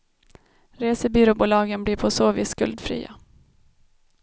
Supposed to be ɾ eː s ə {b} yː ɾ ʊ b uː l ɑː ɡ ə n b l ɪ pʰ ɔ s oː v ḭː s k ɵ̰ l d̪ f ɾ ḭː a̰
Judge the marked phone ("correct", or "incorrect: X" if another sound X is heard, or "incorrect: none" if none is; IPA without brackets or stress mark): correct